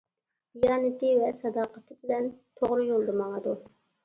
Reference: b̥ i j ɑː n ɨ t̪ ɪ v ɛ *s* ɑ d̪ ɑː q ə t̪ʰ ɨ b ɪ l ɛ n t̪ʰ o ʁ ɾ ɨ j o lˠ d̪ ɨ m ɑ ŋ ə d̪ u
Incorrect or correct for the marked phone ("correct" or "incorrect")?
correct